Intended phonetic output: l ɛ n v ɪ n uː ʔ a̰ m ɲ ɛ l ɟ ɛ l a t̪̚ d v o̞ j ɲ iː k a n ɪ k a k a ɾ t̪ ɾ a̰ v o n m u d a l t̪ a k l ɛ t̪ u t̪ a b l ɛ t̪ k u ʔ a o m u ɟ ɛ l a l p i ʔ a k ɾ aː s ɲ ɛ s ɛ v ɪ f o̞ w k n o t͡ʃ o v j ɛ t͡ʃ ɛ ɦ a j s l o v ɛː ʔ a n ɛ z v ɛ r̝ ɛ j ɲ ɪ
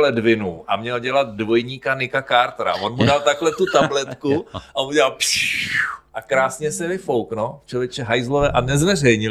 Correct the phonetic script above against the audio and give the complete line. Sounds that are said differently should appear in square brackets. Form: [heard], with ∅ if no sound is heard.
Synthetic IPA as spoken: l ɛ [d] v ɪ n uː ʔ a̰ m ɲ ɛ l ɟ ɛ l a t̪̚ d v o̞ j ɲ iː k a n ɪ k a k a ɾ t̪ ɾ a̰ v o n m u d a l t̪ a k l ɛ t̪ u t̪ a b l ɛ t̪ k u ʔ a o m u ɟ ɛ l a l p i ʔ a k ɾ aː s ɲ ɛ s ɛ v ɪ f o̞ w k n o t͡ʃ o v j ɛ t͡ʃ ɛ ɦ a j [z] l o v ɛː ʔ a n ɛ z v ɛ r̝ ɛ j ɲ ɪ